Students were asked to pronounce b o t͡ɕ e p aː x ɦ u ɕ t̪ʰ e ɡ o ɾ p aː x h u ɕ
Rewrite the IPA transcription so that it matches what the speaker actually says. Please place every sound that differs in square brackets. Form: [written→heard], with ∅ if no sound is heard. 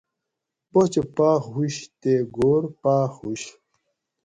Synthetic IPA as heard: b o t͡ɕ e p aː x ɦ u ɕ [t̪ʰ→t̪] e ɡ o ɾ p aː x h u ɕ